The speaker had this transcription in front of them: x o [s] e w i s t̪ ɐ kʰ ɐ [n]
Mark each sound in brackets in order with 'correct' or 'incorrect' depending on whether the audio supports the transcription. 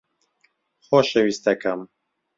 incorrect, incorrect

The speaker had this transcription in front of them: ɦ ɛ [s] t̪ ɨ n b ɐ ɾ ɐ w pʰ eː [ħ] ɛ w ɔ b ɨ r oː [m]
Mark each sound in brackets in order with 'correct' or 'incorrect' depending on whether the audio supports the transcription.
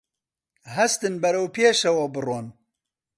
correct, incorrect, incorrect

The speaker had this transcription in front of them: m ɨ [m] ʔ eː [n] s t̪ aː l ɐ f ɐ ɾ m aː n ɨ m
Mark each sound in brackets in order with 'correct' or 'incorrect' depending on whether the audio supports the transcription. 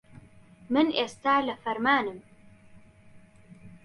incorrect, incorrect

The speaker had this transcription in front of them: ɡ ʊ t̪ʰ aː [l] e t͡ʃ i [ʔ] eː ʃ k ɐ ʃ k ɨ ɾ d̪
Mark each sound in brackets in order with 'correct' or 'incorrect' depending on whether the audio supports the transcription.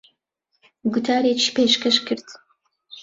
incorrect, incorrect

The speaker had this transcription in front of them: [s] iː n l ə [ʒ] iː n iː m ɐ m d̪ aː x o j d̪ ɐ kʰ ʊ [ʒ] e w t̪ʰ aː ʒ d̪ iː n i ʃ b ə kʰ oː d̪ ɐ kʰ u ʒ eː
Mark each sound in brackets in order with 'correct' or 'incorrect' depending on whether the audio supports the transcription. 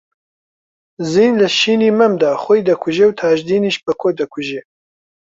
incorrect, incorrect, correct

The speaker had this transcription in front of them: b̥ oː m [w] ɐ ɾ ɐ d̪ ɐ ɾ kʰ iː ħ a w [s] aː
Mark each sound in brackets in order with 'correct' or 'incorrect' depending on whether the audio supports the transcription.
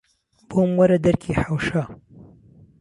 correct, incorrect

